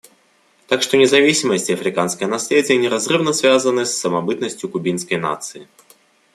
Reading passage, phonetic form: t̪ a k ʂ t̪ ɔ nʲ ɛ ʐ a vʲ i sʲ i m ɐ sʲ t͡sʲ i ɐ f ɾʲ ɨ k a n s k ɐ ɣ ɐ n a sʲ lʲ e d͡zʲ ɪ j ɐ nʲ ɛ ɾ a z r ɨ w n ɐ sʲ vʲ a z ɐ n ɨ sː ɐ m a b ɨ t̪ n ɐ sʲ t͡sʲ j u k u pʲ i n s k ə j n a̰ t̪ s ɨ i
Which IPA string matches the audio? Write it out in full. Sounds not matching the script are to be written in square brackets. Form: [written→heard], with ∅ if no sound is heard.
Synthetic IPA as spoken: t̪ a k ʂ t̪ ɔ nʲ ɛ [ʐ→z] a vʲ i sʲ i m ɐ sʲ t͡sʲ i ɐ f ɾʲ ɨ k a n s k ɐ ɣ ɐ n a sʲ lʲ e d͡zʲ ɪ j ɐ nʲ ɛ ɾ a z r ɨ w n ɐ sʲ vʲ a z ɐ n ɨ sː ɐ m a b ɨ t̪ n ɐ sʲ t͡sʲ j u k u [pʲ→bʲ] i n s k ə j n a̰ t̪ s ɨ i